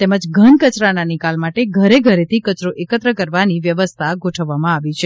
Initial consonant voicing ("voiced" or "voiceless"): voiceless